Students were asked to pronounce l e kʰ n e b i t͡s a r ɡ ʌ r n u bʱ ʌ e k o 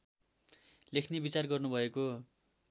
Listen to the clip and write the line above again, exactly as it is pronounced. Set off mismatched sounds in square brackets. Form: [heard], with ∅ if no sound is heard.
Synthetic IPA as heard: l e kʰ n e b i t͡s a r ɡ ʌ r n u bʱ ʌ e k o